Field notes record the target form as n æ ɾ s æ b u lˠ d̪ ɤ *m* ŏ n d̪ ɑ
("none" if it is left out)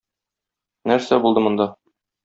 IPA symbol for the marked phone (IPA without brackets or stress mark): m